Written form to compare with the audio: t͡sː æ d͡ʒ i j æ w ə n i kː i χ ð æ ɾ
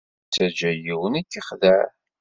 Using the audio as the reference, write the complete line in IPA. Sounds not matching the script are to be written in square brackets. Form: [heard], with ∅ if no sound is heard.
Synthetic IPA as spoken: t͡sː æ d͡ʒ [æ] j [i] w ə n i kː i χ ð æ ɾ